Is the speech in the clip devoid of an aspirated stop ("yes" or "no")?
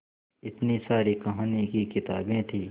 no